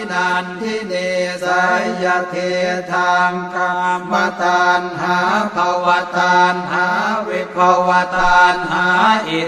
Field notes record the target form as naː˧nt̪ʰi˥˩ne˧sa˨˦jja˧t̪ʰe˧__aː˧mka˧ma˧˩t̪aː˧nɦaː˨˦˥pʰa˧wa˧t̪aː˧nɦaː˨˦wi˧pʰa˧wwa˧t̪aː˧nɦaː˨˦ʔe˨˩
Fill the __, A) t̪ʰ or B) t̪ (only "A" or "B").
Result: A